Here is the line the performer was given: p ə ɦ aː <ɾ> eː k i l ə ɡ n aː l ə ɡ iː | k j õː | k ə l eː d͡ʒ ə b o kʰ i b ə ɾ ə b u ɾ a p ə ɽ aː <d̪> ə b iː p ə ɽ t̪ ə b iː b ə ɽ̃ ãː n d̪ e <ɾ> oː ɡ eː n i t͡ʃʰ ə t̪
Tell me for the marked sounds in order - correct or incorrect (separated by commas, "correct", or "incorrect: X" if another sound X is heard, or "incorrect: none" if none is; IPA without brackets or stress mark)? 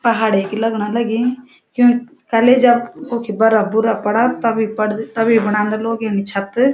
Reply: incorrect: ɽ, incorrect: t̪, incorrect: l